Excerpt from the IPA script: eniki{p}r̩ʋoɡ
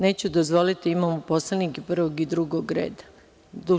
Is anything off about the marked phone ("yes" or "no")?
no